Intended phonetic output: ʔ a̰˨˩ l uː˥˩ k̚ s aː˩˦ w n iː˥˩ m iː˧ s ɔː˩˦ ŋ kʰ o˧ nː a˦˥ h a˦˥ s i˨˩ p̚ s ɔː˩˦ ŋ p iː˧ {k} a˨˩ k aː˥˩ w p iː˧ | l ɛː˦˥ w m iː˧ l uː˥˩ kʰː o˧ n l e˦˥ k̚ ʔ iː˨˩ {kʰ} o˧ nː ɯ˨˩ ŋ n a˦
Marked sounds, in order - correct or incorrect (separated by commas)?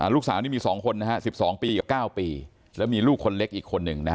correct, correct